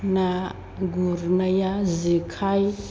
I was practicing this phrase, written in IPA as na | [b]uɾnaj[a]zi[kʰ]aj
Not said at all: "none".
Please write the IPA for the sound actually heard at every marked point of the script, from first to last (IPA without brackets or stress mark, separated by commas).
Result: ɡ, a, kʰ